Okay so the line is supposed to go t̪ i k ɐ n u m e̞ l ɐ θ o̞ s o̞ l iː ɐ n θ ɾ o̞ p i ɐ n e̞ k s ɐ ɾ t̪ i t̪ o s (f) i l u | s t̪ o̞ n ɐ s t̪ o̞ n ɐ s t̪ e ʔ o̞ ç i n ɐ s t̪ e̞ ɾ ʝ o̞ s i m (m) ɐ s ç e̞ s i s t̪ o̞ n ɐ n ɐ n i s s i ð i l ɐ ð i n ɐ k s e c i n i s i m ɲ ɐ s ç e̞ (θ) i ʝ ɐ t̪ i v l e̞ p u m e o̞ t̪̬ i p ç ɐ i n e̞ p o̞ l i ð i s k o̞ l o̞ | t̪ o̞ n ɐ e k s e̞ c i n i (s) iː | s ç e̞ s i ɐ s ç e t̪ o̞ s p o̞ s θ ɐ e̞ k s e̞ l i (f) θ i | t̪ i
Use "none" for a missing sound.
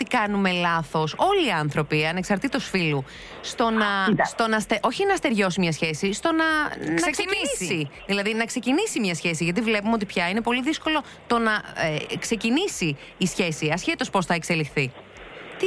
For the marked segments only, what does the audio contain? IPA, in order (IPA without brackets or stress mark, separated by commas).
f, ɲ, s, s, x